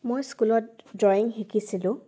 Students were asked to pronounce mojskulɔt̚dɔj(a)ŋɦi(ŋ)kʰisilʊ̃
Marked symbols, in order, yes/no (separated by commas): no, no